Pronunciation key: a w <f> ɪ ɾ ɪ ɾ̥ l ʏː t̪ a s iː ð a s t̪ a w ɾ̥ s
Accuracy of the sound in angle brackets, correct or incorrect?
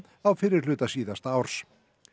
correct